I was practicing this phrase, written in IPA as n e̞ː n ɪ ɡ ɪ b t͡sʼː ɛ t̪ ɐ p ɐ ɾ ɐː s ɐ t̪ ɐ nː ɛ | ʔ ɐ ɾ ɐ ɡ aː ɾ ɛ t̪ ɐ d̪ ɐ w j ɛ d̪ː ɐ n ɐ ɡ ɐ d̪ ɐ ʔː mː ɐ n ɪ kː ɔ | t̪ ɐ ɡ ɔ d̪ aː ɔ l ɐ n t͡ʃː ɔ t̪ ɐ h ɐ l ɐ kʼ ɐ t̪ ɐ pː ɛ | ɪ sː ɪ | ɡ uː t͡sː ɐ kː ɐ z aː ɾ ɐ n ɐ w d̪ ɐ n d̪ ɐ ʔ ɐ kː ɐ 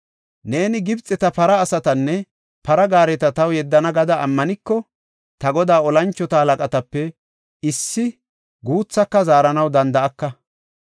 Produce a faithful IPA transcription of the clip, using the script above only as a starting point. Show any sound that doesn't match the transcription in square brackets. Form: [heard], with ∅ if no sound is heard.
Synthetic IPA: n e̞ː n ɪ ɡ ɪ b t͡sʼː ɛ t̪ ɐ p ɐ ɾ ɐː s ɐ t̪ ɐ nː ɛ | [p] ɐ ɾ ɐ ɡ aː ɾ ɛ t̪ ɐ [t̪] ɐ w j ɛ d̪ː ɐ n ɐ ɡ ɐ d̪ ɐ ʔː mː ɐ n ɪ kː ɔ | t̪ ɐ ɡ ɔ d̪ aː ɔ l ɐ n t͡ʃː ɔ t̪ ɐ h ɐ l ɐ kʼ ɐ t̪ ɐ pː ɛ | ɪ sː ɪ | ɡ uː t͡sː ɐ kː ɐ z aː ɾ ɐ n ɐ w d̪ ɐ n d̪ ɐ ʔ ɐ kː ɐ